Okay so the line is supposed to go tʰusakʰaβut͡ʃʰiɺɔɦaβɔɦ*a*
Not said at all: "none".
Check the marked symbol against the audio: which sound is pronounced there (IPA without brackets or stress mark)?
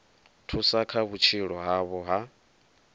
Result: a